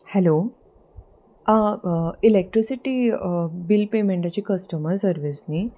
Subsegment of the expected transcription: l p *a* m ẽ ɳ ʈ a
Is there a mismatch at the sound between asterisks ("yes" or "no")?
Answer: yes